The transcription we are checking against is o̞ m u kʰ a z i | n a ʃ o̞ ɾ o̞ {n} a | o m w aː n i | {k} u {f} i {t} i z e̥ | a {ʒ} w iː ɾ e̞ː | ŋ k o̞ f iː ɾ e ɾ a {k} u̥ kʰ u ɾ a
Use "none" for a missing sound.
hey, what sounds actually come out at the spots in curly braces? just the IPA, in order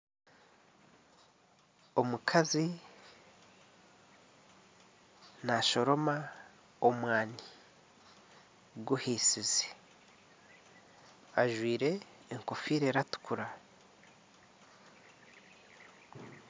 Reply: m, ɡ, h, s, ʒ, t

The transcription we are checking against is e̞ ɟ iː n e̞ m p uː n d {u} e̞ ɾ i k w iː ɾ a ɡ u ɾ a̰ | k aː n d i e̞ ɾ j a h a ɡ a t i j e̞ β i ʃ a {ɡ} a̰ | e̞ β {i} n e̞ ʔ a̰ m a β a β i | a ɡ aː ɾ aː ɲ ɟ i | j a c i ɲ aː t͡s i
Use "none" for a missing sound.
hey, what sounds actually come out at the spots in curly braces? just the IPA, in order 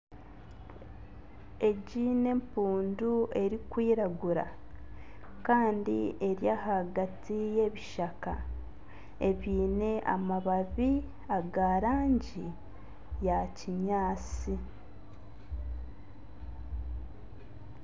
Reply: u, k, iː

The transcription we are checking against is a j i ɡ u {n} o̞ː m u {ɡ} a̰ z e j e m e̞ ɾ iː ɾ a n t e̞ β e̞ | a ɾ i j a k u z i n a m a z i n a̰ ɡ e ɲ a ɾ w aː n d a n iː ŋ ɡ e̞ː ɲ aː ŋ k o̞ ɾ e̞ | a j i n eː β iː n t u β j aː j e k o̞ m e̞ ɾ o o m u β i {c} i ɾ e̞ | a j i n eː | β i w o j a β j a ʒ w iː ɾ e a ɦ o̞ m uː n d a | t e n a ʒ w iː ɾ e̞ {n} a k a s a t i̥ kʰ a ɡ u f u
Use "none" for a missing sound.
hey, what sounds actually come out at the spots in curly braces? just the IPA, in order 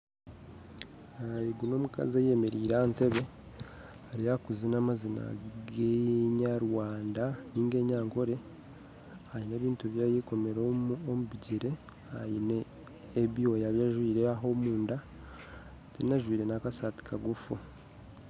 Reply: n, k, ɟ, n

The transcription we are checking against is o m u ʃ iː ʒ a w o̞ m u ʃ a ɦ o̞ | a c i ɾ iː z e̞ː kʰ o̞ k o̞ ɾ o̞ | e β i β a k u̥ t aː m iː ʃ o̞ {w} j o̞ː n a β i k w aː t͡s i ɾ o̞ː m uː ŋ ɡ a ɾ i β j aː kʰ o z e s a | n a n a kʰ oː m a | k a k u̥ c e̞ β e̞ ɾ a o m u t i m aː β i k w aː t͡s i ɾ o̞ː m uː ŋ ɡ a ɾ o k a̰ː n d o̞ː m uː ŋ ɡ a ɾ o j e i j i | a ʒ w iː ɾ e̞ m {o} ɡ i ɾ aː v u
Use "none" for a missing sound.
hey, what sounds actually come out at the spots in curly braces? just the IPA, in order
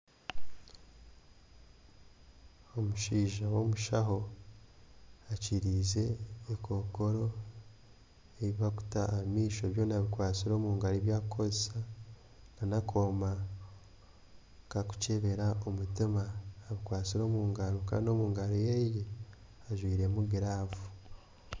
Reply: β, u

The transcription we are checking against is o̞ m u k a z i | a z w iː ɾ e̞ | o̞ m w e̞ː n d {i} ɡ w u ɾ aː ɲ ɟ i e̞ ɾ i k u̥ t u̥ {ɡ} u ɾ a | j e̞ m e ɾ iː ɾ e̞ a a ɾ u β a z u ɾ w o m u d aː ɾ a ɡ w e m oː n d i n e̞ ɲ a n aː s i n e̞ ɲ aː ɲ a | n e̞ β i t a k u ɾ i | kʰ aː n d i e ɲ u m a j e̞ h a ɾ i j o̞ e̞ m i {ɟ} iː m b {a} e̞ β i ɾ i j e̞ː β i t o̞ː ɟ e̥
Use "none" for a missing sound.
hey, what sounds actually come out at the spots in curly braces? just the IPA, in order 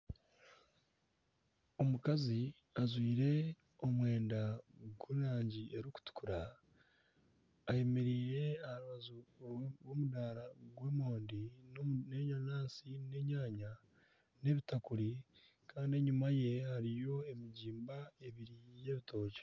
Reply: a, k, ɟ, a

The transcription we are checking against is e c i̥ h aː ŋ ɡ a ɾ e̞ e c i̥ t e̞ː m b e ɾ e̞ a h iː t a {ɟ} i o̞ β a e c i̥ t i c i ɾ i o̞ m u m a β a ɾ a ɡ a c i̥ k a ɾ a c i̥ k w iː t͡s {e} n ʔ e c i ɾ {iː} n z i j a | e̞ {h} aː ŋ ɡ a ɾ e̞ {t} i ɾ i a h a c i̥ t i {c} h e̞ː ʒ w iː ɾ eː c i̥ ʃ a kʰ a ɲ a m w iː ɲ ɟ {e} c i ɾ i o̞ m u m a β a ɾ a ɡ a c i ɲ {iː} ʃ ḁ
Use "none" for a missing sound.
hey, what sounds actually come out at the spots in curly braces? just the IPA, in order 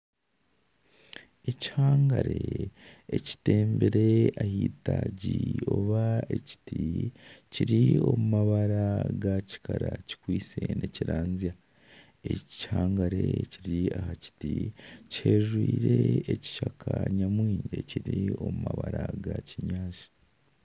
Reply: ɟ, e, aː, h, c, c, e, aː

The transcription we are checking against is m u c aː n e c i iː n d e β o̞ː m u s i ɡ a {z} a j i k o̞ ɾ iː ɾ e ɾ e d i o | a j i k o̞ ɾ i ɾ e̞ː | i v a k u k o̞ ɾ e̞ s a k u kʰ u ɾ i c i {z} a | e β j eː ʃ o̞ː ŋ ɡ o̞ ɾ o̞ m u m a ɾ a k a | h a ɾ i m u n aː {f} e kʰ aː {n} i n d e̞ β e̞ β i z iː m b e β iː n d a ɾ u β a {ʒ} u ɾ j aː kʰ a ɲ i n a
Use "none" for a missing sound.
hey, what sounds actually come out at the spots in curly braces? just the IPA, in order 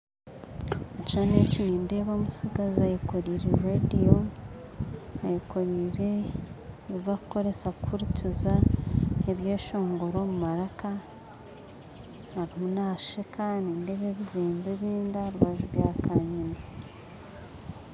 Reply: z, z, ʃ, n, ʒ

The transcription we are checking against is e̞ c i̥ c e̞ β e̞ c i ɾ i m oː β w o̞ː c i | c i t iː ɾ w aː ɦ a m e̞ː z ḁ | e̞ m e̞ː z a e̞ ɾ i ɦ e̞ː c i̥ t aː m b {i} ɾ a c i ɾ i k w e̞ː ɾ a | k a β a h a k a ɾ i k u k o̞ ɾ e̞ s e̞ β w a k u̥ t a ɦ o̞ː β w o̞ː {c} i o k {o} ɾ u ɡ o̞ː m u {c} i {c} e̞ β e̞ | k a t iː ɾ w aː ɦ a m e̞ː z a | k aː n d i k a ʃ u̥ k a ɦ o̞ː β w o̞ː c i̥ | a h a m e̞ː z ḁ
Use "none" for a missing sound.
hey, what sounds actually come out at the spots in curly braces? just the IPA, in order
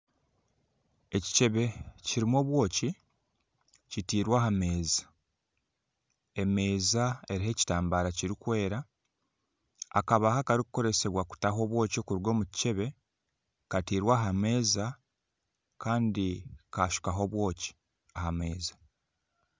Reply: a, c, u, c, c

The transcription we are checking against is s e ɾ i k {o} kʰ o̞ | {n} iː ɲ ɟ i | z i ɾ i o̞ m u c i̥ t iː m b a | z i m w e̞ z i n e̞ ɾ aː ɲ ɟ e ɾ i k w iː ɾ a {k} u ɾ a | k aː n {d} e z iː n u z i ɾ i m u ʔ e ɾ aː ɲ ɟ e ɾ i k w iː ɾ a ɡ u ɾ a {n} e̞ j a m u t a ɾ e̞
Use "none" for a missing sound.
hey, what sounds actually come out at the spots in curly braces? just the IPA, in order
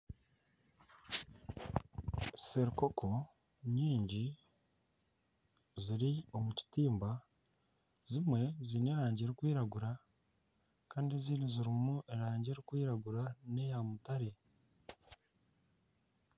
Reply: o, ɲ, ɡ, d, n

